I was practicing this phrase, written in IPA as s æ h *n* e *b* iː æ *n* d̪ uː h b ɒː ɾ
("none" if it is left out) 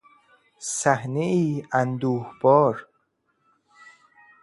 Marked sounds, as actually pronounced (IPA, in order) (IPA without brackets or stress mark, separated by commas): n, none, n